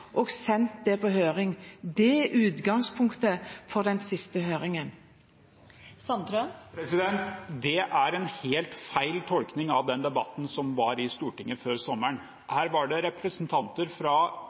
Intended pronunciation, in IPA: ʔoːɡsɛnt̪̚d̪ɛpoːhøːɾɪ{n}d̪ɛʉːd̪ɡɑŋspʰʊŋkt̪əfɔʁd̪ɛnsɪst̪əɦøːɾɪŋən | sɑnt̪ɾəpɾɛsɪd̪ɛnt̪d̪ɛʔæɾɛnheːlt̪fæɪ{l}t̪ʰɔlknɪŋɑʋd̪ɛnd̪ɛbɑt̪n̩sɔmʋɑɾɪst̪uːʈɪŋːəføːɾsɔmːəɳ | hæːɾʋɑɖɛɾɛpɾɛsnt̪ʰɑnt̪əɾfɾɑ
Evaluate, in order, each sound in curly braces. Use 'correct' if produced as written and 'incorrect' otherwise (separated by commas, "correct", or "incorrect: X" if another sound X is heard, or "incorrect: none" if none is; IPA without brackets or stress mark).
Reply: incorrect: ŋ, correct